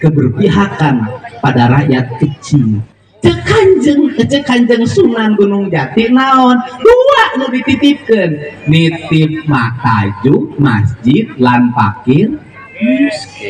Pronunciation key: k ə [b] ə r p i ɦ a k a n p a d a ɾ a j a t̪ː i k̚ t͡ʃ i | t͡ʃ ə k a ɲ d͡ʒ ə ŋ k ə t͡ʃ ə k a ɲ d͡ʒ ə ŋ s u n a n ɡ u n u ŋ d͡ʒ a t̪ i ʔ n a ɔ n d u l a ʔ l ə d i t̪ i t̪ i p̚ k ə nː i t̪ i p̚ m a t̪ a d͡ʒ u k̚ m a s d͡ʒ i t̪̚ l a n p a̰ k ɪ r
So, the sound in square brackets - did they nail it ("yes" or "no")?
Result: yes